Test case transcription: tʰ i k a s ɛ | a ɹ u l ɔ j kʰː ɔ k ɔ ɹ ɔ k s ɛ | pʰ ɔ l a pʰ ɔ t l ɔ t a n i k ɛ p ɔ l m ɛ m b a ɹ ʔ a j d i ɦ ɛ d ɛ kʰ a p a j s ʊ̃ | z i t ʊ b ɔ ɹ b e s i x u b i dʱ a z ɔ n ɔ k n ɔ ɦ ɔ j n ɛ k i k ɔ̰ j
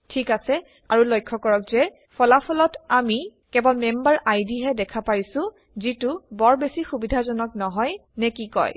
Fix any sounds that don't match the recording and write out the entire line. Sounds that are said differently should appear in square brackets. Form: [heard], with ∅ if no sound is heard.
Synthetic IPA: tʰ i k a s ɛ | a ɹ u l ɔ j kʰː ɔ k ɔ ɹ ɔ k [z] ɛ | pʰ ɔ l a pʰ ɔ [∅] l ɔ t a [m] i k ɛ [b] ɔ l m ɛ m b a ɹ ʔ a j d i ɦ ɛ d ɛ kʰ a p a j s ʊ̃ | z i t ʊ b ɔ ɹ b e s i x u b i dʱ a z ɔ n ɔ k n ɔ ɦ ɔ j n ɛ k i k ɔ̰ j